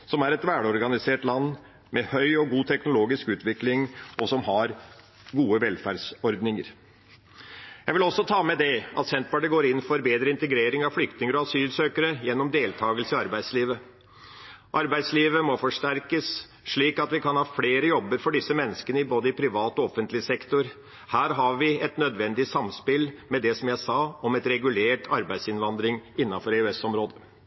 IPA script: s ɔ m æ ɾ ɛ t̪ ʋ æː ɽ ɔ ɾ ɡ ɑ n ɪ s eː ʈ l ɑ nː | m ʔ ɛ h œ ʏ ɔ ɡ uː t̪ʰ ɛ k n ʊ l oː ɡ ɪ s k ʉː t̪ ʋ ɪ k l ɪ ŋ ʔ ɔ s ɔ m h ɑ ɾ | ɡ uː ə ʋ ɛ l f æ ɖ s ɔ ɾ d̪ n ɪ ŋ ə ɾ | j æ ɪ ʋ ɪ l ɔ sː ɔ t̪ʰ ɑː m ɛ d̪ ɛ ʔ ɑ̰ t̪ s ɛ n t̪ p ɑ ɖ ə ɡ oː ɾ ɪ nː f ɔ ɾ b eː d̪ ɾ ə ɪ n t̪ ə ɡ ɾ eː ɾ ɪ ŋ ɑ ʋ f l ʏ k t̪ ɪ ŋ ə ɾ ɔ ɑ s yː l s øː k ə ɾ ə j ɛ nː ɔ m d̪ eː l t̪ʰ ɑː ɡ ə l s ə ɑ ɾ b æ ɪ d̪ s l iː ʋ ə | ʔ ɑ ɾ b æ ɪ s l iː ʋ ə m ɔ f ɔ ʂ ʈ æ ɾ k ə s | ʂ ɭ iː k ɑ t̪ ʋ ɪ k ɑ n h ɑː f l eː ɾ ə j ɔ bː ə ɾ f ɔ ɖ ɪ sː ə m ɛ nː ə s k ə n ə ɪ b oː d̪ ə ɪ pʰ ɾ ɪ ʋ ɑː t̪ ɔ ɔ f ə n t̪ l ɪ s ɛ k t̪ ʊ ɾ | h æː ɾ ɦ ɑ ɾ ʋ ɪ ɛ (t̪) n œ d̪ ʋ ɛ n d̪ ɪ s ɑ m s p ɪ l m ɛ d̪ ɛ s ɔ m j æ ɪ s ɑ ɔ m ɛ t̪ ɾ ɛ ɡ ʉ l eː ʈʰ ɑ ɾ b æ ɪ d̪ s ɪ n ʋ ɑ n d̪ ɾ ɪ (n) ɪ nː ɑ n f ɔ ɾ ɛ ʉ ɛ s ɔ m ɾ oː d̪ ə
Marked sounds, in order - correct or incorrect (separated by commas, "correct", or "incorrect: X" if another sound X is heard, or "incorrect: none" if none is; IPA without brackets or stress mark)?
correct, incorrect: ŋ